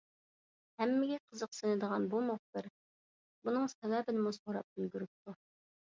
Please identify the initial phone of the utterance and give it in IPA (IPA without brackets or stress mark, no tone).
h